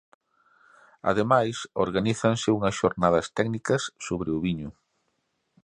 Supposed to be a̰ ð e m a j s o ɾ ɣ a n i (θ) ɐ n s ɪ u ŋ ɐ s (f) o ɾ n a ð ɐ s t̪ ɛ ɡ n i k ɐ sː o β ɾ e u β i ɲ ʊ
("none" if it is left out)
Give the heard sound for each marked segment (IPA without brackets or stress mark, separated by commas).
θ, ʃ